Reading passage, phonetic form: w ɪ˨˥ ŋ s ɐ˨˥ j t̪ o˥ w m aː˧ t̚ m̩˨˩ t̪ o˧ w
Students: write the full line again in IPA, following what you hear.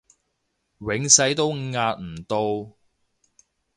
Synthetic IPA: w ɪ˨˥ ŋ s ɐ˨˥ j t̪ o˥ w ŋ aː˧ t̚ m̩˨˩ t̪ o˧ w